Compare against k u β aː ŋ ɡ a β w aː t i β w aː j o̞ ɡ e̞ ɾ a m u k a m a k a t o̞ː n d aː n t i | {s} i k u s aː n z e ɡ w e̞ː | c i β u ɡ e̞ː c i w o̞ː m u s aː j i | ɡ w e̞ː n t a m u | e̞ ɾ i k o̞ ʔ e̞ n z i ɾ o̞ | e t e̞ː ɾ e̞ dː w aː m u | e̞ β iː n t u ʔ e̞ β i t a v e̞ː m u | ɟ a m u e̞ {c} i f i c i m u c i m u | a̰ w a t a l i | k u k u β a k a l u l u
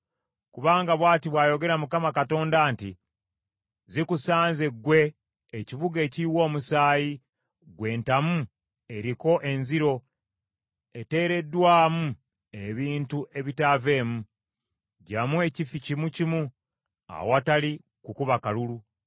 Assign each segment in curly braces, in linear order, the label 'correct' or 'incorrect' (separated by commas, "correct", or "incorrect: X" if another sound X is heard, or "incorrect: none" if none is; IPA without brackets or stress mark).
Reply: incorrect: z, correct